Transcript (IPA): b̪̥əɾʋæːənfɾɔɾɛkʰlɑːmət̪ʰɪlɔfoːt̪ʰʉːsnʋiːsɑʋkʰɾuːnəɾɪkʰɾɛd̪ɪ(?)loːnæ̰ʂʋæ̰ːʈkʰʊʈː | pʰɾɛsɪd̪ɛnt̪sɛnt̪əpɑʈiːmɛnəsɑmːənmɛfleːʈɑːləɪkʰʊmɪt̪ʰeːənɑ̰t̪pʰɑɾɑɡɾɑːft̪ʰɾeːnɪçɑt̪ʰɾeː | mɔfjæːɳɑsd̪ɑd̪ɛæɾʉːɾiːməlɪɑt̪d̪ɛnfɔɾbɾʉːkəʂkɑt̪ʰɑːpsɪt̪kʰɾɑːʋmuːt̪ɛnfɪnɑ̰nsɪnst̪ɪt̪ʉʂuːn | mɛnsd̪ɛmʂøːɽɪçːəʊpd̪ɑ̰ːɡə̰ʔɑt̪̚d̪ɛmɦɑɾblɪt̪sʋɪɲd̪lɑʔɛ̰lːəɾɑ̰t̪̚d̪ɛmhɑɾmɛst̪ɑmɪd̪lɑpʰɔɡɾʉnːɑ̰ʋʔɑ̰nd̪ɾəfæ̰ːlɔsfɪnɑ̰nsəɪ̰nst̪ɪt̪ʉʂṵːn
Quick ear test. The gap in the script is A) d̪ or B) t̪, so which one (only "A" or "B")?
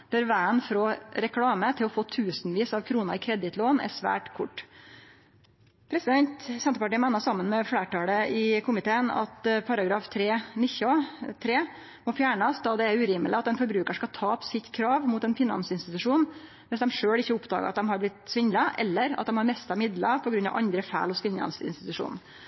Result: B